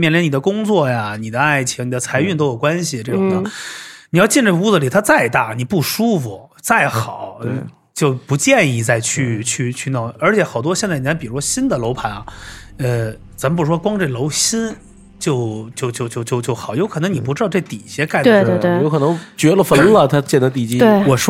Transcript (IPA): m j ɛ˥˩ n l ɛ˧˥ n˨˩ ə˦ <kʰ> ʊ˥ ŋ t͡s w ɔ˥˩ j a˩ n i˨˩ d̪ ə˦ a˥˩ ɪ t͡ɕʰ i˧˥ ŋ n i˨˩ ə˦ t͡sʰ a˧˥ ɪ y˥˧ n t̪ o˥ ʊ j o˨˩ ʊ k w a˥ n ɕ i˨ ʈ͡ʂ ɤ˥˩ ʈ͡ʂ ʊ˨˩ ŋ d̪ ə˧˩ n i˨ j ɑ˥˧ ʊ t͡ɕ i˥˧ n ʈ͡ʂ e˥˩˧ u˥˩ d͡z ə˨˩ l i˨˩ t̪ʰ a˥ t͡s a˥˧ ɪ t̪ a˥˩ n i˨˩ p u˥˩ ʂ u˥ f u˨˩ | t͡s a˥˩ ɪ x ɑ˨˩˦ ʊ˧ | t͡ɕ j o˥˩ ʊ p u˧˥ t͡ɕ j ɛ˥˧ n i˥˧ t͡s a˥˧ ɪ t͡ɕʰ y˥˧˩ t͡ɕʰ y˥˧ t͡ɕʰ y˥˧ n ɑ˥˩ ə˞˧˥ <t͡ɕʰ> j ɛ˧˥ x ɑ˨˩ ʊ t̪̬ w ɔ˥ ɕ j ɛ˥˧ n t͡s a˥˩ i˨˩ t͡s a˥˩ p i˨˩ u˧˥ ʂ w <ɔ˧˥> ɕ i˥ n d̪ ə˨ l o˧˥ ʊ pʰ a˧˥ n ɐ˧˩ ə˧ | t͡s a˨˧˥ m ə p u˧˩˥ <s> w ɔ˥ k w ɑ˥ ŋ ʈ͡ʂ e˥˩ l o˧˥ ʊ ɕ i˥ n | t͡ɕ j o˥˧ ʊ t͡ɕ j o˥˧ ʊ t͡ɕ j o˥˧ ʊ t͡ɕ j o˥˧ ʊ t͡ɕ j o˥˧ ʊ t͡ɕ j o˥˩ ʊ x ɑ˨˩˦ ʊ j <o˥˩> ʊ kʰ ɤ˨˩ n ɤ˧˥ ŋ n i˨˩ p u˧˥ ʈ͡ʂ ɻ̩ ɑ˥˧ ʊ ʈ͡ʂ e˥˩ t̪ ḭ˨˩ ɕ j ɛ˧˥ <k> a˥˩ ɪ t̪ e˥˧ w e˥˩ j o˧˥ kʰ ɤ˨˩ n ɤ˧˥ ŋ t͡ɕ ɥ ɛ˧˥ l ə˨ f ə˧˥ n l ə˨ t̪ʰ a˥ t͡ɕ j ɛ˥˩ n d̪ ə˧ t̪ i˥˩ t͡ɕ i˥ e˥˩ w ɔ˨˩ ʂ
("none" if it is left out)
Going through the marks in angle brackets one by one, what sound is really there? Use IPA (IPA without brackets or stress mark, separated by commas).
k, t͡ɕʰ, ɔ˥, ʂ, o˧˥, k